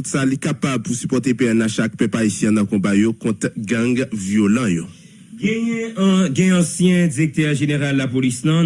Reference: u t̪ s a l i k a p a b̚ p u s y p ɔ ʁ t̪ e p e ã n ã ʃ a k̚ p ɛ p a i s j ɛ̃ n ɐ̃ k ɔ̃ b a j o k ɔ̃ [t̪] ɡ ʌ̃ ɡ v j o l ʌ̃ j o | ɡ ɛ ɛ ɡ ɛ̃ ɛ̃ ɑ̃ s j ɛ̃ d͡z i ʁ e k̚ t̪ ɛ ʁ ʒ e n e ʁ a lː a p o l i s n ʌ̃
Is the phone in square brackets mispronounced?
no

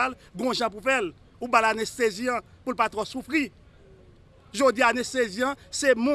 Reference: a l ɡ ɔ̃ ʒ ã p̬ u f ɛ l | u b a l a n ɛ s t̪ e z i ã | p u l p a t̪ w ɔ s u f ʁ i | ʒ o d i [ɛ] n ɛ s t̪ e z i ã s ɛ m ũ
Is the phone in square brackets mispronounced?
yes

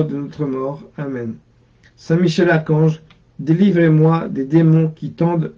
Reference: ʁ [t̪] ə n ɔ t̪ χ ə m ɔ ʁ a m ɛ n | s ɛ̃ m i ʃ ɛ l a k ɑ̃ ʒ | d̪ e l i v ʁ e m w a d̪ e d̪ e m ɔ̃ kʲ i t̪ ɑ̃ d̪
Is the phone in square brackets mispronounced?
yes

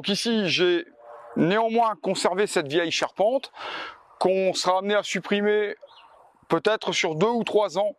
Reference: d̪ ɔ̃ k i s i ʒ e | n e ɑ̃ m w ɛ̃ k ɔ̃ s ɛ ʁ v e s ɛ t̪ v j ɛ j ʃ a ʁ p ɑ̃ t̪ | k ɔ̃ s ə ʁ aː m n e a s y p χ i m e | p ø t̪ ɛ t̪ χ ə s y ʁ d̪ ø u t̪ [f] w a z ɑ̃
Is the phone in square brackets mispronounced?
yes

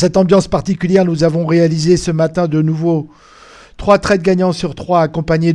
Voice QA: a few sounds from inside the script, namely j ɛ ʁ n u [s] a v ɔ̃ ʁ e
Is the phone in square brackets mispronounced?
yes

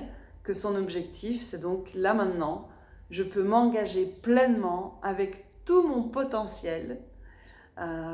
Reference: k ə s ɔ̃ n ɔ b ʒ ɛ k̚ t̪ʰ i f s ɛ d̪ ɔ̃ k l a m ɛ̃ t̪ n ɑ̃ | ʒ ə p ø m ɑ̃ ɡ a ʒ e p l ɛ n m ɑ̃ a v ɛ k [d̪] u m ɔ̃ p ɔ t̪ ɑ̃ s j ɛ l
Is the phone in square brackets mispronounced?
yes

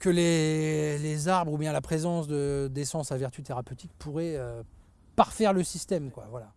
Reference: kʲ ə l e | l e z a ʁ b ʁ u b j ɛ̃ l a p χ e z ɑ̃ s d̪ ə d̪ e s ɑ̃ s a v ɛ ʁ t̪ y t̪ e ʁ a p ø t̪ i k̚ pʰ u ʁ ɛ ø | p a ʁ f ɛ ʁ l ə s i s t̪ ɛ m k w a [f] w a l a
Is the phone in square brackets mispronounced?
yes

